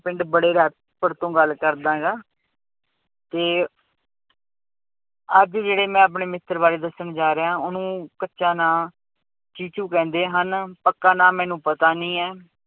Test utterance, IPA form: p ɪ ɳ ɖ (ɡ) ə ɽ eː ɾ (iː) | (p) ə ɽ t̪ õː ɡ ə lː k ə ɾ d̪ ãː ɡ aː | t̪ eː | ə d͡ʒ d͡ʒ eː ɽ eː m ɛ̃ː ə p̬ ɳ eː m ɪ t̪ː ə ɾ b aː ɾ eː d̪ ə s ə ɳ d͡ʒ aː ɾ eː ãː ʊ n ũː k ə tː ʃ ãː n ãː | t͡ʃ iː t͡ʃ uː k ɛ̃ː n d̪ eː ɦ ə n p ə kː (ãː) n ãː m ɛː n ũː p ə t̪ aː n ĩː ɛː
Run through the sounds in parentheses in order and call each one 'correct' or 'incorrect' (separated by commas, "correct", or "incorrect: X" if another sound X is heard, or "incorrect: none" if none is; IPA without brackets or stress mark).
incorrect: b, incorrect: ɛː, correct, incorrect: aː